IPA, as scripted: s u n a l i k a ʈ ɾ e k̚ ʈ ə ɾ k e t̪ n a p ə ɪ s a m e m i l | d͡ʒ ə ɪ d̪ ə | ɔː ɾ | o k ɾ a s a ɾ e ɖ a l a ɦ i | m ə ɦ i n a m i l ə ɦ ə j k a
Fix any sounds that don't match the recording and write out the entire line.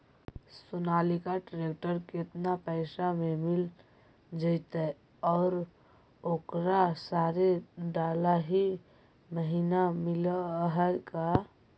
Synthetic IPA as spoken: s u n a l i k a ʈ ɾ e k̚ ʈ ə ɾ k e t̪ n a p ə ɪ s a m e m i l | d͡ʒ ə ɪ t̪ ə | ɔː ɾ | o k ɾ a s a ɾ e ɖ a l a ɦ i | m ə ɦ i n a m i l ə ɦ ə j k a